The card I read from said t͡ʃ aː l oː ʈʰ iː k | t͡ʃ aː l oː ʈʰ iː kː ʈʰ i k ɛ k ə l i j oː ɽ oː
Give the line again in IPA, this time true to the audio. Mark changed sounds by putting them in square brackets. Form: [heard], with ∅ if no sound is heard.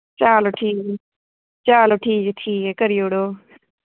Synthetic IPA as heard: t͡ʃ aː l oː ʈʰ iː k | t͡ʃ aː l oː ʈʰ iː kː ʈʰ [iː] k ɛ k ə [ɾ] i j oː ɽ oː